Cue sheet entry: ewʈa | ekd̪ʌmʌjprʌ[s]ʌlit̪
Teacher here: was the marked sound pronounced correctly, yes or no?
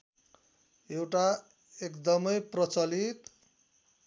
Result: no